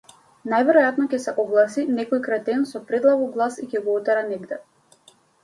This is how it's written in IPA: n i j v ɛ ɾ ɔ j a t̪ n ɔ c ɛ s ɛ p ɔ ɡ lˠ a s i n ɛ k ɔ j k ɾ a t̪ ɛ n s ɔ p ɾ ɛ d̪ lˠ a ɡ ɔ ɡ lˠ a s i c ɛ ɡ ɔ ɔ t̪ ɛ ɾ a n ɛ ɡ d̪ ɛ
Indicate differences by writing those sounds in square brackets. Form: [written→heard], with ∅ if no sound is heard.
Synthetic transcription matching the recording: n [i→a] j v ɛ ɾ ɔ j a t̪ n ɔ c ɛ s ɛ [p→ʔ] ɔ ɡ lˠ a s i n ɛ k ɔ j k ɾ a t̪ ɛ n s ɔ p ɾ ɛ d̪ lˠ a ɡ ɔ ɡ lˠ a s i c ɛ ɡ ɔ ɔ t̪ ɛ ɾ a n ɛ ɡ d̪ ɛ